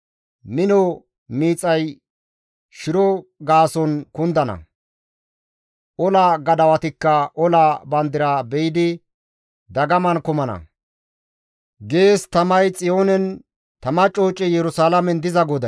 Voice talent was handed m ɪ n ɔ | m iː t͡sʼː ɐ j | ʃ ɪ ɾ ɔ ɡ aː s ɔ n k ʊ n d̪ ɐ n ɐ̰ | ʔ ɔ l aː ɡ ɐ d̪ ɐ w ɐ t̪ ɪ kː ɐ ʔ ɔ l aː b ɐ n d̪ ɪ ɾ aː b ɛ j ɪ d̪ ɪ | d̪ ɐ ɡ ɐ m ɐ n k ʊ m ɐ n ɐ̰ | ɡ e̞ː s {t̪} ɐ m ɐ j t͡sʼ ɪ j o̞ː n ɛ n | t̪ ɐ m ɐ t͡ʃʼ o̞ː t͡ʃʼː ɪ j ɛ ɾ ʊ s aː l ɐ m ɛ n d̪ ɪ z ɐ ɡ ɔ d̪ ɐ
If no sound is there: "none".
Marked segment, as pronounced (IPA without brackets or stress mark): t̪